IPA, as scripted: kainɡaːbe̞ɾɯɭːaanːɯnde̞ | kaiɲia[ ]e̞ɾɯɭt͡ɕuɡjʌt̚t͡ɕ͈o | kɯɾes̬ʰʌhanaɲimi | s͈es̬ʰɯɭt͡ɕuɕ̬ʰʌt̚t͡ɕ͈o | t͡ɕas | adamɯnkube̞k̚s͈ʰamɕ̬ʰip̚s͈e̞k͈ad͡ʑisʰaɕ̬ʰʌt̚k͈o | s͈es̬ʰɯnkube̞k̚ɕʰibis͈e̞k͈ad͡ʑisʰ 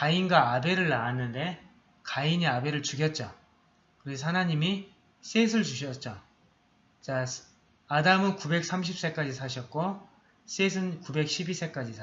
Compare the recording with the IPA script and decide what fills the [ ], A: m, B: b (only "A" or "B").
B